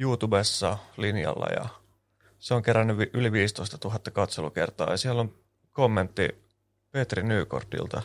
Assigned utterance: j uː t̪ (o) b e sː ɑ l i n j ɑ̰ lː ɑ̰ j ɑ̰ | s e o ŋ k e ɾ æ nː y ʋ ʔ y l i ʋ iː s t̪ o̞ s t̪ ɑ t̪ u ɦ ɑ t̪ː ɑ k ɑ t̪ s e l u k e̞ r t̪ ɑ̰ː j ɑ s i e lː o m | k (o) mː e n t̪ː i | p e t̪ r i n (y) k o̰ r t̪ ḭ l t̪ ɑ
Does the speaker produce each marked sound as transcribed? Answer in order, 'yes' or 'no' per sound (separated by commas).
no, yes, no